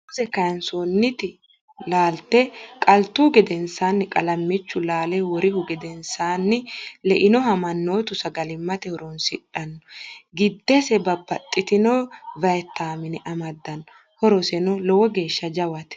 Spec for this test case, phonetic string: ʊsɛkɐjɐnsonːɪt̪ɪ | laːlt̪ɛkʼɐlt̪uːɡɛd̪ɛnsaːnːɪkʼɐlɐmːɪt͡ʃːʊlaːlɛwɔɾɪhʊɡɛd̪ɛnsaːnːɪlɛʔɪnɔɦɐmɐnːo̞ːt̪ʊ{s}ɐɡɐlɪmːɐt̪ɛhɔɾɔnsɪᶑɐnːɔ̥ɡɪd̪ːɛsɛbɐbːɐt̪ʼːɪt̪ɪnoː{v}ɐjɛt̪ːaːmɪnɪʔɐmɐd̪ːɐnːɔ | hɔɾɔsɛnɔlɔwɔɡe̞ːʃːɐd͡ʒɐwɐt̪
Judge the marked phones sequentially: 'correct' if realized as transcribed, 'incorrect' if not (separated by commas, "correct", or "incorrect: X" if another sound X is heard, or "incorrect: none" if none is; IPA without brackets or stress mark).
correct, correct